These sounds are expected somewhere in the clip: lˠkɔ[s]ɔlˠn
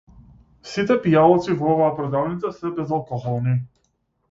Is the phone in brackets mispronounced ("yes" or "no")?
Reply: yes